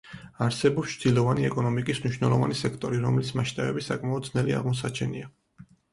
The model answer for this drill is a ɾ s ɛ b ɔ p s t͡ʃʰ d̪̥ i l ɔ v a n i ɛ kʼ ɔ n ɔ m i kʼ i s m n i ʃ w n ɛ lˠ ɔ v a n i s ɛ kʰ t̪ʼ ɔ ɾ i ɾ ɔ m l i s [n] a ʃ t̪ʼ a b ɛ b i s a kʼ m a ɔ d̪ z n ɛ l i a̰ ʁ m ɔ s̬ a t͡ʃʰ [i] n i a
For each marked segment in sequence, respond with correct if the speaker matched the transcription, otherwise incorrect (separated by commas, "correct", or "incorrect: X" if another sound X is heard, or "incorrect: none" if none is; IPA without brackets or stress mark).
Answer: incorrect: m, incorrect: ɛ